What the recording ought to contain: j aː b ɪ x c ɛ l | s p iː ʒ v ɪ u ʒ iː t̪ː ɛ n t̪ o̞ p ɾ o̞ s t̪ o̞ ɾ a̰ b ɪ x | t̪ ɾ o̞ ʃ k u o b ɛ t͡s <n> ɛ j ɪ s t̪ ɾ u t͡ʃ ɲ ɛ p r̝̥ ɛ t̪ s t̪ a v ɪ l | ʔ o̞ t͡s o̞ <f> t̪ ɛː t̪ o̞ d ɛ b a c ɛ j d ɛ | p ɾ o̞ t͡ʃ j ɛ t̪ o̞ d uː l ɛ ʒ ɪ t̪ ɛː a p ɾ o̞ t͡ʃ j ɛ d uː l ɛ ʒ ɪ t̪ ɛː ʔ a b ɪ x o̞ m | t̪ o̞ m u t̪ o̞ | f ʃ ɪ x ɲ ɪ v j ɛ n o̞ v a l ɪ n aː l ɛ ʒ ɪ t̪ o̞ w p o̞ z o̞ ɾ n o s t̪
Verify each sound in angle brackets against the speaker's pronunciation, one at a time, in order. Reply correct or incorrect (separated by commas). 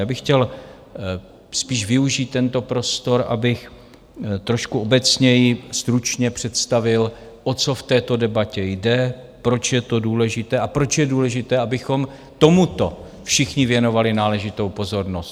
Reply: incorrect, correct